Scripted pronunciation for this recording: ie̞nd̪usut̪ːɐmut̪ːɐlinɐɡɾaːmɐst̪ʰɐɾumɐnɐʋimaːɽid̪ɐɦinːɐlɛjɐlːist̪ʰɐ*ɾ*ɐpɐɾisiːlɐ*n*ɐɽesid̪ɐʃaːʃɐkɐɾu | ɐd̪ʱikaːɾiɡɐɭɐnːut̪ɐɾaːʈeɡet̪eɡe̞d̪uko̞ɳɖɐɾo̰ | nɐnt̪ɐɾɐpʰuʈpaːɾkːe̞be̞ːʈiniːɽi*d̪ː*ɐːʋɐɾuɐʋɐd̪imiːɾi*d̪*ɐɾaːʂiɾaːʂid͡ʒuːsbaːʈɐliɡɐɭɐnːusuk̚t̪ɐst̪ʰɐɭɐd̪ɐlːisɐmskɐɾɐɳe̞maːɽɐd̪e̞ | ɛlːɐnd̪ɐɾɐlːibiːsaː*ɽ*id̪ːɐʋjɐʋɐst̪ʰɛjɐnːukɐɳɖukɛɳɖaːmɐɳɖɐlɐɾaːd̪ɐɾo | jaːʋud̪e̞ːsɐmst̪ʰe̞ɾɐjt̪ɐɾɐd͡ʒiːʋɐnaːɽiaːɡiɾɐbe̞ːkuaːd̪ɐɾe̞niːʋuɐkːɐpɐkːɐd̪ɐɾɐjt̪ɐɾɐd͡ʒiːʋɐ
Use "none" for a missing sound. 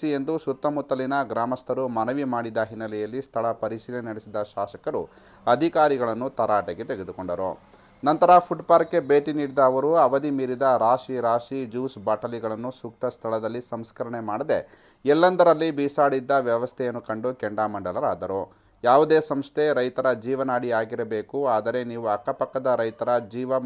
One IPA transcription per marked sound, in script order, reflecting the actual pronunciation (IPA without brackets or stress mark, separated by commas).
ɭ, n, d̪, d̪, ɽ